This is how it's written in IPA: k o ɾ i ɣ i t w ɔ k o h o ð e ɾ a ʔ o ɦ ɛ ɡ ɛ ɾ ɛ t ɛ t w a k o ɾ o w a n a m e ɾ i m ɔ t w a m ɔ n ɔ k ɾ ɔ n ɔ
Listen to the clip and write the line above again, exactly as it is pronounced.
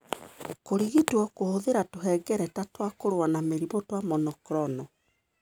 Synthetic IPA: k o ɾ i ɣ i t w ɔ k o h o ð e ɾ a t o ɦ ɛ ɡ ɛ ɾ ɛ t a t w a k o ɾ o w a n a m e ɾ i m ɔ t w a m ɔ n ɔ k ɾ ɔ n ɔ